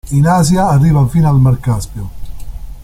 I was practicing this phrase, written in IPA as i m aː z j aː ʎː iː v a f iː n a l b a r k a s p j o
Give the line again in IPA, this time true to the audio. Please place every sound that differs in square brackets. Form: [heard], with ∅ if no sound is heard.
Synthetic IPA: i [n] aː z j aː [rː] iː v a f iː n a l [m] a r k a s p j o